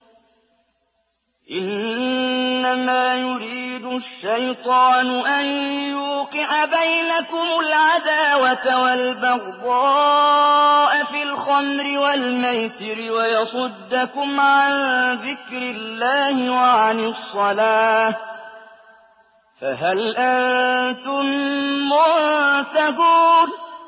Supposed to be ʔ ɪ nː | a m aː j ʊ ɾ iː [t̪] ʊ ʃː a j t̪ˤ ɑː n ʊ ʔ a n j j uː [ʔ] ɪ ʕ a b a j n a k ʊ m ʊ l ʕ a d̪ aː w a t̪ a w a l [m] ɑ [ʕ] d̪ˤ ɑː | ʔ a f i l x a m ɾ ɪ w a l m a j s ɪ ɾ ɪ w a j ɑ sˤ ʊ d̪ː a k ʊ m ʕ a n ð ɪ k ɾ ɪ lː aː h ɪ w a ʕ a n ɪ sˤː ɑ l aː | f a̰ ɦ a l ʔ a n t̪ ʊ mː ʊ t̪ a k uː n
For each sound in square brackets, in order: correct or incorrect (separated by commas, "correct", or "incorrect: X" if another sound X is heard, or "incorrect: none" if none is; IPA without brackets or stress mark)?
incorrect: d̪, incorrect: q, incorrect: b, incorrect: ɣ